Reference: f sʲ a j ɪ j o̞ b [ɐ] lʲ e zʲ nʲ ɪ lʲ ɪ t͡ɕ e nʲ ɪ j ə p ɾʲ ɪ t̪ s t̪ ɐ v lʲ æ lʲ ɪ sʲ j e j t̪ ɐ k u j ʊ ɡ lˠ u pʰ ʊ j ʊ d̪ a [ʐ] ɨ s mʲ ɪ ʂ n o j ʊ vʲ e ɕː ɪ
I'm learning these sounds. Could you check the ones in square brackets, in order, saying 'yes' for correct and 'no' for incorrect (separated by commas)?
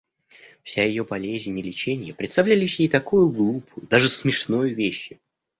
yes, yes